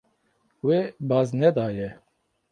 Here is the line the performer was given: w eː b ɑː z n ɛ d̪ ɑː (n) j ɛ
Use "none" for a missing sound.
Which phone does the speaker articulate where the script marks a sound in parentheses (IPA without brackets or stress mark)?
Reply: none